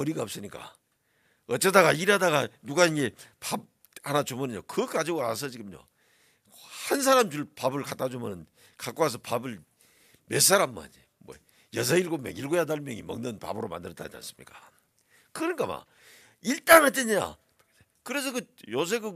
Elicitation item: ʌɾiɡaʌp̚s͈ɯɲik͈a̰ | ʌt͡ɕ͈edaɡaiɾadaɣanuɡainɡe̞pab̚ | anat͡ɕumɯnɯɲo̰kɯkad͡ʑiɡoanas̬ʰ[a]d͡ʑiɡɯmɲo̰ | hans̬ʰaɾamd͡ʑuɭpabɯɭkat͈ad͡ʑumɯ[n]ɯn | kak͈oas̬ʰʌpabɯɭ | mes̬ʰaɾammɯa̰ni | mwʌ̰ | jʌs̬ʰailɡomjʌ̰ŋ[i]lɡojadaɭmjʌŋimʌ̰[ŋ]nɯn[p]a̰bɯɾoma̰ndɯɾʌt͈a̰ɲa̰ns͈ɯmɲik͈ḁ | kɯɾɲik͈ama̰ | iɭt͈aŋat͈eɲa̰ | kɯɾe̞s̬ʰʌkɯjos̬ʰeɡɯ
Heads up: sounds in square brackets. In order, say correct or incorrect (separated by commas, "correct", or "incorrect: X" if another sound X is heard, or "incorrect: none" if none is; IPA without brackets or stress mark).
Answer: incorrect: ʌ, correct, correct, correct, correct